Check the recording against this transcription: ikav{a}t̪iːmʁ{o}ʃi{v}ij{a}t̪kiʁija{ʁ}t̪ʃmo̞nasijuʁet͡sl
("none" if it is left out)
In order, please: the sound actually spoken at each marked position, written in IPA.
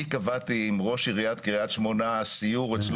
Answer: a, o, ʁ, a, none

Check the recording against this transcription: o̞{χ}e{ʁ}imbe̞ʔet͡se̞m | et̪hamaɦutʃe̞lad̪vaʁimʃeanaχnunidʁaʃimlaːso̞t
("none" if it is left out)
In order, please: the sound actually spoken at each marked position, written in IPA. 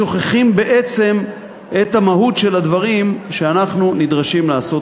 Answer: χ, χ

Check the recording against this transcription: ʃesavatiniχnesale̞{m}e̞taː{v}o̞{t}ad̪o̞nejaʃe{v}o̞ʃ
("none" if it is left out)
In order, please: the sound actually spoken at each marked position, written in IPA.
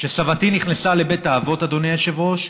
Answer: b, v, t, v

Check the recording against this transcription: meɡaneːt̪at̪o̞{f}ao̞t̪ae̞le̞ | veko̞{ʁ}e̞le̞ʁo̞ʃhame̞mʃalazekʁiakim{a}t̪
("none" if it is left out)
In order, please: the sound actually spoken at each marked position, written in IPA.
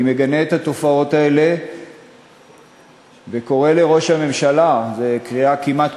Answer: f, ʁ, a

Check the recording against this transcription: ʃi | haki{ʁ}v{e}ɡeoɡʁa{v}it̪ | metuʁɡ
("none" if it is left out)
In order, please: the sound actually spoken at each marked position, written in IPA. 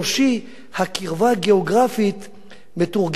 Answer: ʁ, a, f

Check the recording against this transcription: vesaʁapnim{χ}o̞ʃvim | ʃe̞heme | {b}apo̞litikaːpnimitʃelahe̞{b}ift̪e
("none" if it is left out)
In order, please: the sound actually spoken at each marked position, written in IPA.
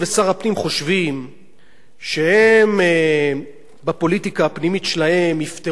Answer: χ, b, m

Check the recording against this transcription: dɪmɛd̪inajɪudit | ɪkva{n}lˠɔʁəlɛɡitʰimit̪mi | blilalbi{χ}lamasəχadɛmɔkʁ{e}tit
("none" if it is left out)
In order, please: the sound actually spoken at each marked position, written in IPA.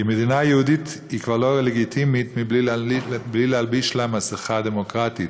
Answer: none, ʃ, a

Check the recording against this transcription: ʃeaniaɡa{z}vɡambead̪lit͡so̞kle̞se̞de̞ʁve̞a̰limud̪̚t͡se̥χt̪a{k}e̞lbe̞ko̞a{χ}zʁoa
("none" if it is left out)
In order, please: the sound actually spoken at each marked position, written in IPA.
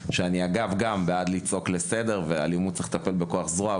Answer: none, p, χ

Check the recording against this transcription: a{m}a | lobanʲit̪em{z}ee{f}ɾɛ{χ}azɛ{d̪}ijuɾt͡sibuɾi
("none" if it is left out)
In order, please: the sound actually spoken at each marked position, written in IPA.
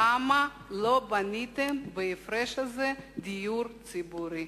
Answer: m, v, f, ʃ, d̪

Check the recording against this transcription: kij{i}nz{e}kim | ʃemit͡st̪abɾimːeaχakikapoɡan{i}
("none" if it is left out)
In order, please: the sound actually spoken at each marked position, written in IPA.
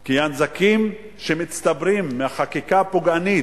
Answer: a, a, i

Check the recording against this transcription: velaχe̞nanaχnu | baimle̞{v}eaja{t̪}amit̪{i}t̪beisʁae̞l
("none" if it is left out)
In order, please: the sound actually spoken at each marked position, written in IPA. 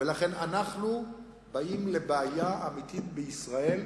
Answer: b, none, i

